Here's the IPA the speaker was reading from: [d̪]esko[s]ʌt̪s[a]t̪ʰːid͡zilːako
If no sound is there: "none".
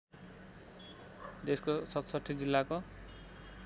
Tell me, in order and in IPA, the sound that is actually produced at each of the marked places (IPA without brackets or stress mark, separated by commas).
d̪, s, ʌ